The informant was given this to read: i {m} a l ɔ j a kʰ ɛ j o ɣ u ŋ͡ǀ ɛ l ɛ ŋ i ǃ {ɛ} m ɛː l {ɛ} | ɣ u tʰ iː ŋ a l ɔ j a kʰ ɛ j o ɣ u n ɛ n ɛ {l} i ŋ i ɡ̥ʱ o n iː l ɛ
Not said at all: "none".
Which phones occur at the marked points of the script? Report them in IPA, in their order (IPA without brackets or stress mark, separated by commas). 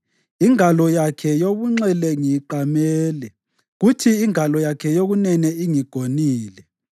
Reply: ŋ, a, ɛ, none